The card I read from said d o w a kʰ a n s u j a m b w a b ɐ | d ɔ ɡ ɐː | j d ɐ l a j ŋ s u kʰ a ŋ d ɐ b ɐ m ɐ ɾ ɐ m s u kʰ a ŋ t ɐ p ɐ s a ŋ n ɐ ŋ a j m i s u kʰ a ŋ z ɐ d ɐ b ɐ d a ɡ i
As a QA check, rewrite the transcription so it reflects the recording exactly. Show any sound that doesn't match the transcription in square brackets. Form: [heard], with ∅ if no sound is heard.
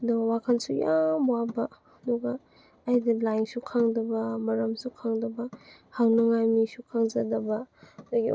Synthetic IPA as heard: d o w a kʰ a n s u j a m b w a b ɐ | d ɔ ɡ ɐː | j d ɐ l a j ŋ s u kʰ a ŋ d ɐ b ɐ m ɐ ɾ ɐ m s u kʰ a ŋ [d] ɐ [b] ɐ [h] a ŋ n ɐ ŋ a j m i s u kʰ a ŋ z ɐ d ɐ b ɐ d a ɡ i